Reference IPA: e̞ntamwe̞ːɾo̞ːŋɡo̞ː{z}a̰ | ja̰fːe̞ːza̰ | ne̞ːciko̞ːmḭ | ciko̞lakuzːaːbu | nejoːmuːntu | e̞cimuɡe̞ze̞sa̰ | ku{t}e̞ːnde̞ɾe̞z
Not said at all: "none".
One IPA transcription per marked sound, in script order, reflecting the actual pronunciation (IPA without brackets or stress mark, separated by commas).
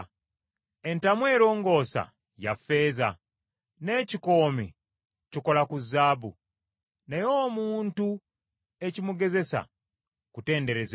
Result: s, t